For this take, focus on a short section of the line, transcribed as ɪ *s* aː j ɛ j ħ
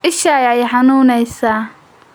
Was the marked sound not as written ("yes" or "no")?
yes